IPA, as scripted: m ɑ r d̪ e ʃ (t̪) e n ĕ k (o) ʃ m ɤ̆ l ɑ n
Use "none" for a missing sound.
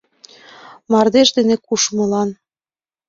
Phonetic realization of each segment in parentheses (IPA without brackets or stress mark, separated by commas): d̪, u